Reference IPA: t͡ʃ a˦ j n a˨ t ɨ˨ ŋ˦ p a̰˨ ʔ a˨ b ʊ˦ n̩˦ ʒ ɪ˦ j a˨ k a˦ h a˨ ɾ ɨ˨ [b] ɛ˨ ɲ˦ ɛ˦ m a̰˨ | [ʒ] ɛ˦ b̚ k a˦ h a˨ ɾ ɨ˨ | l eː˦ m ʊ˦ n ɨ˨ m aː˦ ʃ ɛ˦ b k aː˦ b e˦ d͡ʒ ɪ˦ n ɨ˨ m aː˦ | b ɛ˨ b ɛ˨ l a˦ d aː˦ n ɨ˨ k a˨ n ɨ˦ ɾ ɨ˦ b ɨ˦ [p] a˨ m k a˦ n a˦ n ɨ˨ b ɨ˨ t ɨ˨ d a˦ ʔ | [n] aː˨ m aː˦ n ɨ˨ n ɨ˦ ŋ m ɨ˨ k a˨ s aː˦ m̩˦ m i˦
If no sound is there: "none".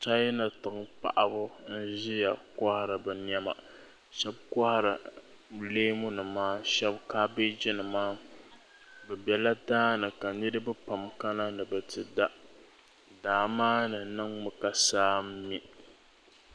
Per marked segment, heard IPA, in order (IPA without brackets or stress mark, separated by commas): b, ʃ, p, d